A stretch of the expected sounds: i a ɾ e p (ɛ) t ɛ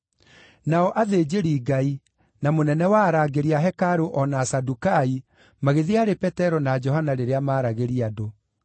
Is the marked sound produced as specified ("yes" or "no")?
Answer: yes